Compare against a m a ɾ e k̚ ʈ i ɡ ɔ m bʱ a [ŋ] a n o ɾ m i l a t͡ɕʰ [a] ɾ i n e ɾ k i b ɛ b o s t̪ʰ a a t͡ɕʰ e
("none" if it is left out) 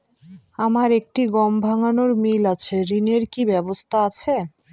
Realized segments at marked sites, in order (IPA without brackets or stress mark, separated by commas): ŋ, e